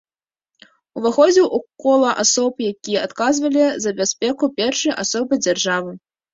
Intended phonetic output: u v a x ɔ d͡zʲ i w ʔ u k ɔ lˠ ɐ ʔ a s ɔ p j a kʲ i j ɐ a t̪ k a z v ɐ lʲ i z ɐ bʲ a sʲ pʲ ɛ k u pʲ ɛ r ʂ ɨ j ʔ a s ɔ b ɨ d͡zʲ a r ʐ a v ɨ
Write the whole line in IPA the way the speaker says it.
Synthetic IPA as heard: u v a x ɔ d͡zʲ i w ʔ u k ɔ lˠ ɐ ʔ a s ɔ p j a kʲ i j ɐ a t̪ k a z v ɐ lʲ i z ɐ bʲ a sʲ pʲ ɛ k u pʲ ɛ r ʂ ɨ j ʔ a s ɔ b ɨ d͡zʲ a r ʐ a v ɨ